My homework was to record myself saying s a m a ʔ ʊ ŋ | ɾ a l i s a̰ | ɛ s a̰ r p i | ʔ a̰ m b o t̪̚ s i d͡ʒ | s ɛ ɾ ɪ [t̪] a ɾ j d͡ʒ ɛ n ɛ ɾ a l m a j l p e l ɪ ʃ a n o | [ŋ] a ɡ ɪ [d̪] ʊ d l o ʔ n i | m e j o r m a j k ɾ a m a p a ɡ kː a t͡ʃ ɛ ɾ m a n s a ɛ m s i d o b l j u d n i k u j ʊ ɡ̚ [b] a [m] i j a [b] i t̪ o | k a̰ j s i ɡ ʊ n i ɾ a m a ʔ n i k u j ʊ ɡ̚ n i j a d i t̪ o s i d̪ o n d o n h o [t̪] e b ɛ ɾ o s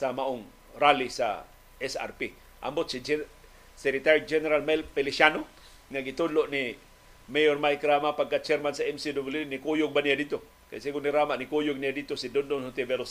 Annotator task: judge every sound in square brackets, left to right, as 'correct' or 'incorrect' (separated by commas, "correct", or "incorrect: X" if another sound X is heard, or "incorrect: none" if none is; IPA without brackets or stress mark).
correct, correct, incorrect: t̪, correct, incorrect: n, incorrect: d, correct